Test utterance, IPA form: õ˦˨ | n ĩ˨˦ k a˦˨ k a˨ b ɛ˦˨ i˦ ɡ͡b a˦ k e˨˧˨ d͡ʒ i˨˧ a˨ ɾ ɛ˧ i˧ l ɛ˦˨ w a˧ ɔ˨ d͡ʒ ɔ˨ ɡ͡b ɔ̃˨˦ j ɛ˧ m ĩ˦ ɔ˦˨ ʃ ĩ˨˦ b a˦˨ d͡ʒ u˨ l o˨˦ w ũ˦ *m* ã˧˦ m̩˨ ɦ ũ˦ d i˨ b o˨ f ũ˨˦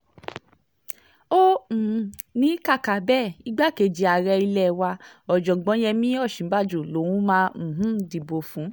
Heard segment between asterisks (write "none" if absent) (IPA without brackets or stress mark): m